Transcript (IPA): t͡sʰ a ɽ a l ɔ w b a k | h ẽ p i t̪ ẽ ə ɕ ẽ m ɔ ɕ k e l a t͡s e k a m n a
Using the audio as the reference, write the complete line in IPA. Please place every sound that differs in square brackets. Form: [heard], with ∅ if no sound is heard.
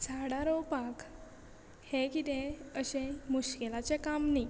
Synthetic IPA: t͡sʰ a ɽ a [ɾ] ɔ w [p] a k | h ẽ [k] i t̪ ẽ ə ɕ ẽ m [u] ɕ k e l a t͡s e k a m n [i]